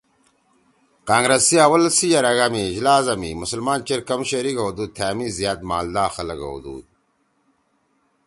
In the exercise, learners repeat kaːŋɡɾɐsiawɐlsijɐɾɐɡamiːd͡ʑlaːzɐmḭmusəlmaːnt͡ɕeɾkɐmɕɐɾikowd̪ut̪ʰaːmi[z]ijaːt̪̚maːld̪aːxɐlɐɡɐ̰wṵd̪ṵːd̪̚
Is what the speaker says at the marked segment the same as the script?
yes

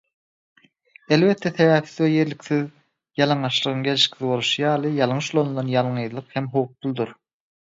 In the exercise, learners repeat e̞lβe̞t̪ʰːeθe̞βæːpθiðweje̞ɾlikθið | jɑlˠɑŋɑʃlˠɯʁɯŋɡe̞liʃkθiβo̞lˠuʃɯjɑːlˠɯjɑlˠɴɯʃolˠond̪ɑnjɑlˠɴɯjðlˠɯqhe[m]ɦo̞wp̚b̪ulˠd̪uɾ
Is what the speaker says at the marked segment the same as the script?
yes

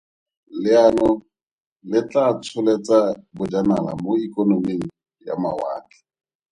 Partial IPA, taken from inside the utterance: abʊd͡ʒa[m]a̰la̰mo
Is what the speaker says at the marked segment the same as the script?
no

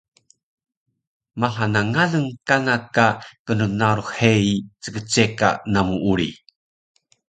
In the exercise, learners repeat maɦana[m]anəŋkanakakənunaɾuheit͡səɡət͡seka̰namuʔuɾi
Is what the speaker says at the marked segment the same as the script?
no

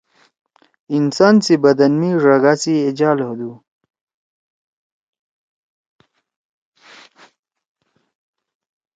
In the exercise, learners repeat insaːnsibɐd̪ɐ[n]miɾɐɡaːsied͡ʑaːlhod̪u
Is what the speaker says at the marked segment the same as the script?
yes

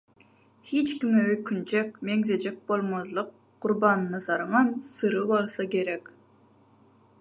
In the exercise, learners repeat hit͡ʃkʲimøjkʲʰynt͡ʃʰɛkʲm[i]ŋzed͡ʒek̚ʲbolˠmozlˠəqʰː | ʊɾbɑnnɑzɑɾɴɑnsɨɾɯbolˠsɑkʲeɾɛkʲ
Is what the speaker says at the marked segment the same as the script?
no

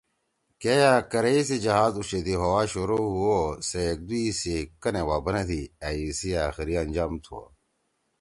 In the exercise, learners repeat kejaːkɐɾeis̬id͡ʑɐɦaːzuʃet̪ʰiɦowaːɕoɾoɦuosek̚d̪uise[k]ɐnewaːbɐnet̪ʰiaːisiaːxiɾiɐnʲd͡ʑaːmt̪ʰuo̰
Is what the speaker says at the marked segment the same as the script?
yes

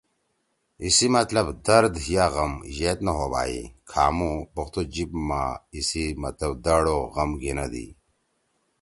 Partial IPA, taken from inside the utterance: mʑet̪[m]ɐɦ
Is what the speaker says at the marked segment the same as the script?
no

